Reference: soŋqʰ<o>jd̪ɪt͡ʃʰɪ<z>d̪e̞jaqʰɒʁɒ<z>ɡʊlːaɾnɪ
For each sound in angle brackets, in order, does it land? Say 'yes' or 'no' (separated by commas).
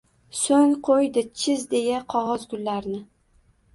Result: yes, yes, yes